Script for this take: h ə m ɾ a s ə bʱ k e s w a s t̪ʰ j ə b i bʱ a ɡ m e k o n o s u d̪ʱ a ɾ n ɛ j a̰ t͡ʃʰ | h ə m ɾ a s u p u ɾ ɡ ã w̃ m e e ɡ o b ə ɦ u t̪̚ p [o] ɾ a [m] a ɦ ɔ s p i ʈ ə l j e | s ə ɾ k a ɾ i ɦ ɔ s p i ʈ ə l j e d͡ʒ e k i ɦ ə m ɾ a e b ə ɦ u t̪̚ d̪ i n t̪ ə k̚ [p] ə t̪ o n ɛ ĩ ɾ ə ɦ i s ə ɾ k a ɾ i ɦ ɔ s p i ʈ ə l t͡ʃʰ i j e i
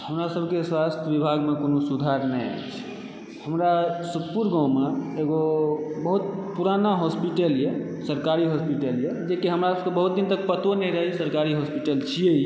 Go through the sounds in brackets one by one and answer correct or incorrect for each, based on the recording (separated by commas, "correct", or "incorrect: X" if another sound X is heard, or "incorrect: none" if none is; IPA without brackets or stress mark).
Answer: incorrect: u, incorrect: n, correct